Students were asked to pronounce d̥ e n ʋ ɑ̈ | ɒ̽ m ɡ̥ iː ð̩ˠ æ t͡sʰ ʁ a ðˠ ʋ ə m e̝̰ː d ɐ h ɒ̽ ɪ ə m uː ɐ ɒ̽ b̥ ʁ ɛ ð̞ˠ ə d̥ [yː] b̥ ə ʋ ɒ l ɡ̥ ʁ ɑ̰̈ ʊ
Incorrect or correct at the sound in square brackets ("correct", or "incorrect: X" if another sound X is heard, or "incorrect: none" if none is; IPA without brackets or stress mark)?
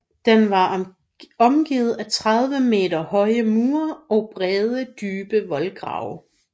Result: correct